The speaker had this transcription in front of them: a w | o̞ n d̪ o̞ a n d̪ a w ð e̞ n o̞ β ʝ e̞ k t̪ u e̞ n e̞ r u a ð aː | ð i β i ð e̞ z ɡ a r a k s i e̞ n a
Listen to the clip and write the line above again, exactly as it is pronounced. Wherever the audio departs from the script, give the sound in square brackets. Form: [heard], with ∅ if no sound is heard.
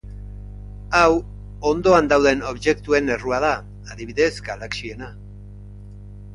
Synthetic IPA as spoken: a w | o̞ n d̪ o̞ a n d̪ a w ð e̞ n o̞ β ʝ e̞ k t̪ u e̞ n e̞ r u a ð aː | ð i β i ð e̞ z ɡ a [l] a k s i e̞ n a